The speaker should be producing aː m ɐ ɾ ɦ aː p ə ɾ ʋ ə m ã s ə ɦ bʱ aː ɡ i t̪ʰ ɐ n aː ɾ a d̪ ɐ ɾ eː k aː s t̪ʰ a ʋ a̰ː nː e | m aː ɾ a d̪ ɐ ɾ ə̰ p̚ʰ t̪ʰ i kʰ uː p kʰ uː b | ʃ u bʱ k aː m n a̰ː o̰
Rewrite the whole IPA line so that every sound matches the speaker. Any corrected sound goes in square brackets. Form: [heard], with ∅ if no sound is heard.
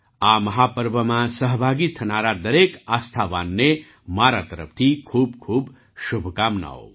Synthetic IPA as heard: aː m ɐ [∅] ɦ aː p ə ɾ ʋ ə m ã s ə ɦ bʱ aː ɡ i t̪ʰ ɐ n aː ɾ a d̪ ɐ ɾ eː k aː s t̪ʰ a ʋ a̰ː nː e | m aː ɾ a [t̪] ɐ ɾ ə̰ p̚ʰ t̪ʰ i kʰ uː [b] kʰ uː b | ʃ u bʱ k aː m n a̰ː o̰